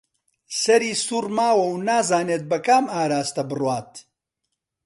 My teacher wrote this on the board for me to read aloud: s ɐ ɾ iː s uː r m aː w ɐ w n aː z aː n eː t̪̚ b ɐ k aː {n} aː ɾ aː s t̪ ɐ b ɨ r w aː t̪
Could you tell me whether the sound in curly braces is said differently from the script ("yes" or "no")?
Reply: yes